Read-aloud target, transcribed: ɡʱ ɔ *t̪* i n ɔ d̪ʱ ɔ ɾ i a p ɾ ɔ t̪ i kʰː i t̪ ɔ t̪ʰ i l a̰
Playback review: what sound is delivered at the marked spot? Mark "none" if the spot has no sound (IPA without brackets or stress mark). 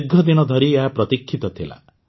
d̪